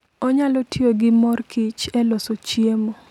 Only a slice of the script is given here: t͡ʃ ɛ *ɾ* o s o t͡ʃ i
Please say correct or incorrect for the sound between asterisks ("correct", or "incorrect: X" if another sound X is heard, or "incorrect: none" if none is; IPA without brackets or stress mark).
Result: incorrect: l